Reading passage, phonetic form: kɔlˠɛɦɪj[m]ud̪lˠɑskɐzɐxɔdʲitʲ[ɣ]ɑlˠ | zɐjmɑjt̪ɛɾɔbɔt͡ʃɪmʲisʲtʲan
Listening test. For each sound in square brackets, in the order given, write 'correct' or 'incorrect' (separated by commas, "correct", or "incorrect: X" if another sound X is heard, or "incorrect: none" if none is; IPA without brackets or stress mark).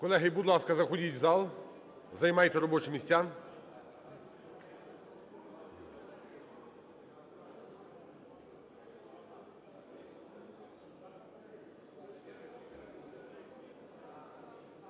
incorrect: b, incorrect: z